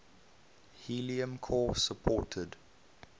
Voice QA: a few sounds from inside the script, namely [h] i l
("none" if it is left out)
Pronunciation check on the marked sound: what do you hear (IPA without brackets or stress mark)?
h